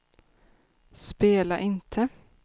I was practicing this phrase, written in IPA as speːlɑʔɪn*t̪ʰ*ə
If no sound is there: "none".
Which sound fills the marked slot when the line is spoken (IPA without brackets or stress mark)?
t̪ʰ